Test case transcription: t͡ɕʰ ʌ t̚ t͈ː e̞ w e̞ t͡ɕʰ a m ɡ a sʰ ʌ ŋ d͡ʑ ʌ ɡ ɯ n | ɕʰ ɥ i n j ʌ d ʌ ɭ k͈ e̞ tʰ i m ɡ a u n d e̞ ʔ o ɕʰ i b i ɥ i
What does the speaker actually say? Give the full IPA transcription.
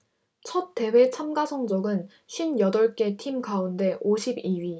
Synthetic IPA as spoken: t͡ɕʰ ʌ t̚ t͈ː e̞ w e̞ t͡ɕʰ a m ɡ a sʰ ʌ ŋ d͡ʑ ʌ ɡ ɯ n | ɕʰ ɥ i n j ʌ d ʌ ɭ k͈ e̞ tʰ i m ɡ a u n d e̞ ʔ o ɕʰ i b i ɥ i